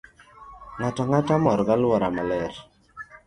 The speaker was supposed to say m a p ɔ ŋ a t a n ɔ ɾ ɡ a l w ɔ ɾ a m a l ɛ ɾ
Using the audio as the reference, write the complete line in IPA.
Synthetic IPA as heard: ŋ a t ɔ ŋ a t a m ɔ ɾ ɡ a l w ɔ ɾ a m a l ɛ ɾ